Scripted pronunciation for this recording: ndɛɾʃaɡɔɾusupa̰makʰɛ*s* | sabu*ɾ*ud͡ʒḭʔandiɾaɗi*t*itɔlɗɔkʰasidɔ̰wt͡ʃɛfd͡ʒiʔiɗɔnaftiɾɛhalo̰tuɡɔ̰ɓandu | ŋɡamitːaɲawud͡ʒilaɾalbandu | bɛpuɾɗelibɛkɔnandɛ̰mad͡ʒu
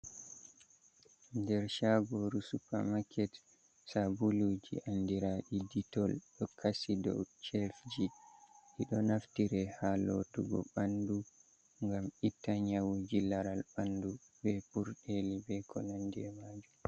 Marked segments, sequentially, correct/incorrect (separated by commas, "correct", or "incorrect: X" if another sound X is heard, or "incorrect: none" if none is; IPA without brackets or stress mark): incorrect: t, incorrect: l, incorrect: d